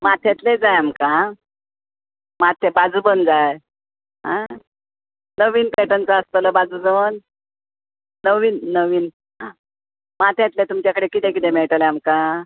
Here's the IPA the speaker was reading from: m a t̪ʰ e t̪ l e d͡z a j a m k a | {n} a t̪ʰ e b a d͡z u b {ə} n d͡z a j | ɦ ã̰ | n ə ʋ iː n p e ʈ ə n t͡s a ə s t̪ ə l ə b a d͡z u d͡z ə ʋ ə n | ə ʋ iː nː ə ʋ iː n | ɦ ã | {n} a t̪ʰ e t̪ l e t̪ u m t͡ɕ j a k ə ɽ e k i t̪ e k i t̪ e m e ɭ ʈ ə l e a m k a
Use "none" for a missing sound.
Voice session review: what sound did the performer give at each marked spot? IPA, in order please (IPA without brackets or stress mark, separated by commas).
m, ə, m